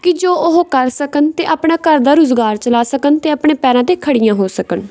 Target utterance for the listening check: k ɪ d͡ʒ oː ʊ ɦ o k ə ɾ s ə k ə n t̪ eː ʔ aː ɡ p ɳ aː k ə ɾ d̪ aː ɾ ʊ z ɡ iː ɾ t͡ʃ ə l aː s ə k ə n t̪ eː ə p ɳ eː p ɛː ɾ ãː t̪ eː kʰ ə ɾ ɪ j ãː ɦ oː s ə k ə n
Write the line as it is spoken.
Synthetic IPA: k ɪ d͡ʒ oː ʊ ɦ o k ə ɾ s ə k ə n t̪ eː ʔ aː p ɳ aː k ə ɾ d̪ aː ɾ ʊ z ɡ aː ɾ t͡ʃ ə l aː s ə k ə n t̪ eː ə p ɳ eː p ɛː ɾ ãː t̪ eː kʰ ə ɽ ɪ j ãː ɦ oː s ə k ə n